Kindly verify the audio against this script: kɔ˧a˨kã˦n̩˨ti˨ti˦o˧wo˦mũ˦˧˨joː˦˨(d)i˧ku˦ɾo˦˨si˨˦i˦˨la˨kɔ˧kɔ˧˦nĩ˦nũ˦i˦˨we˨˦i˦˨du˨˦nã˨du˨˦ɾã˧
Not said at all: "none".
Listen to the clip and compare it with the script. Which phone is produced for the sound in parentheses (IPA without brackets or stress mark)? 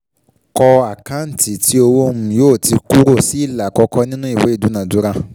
t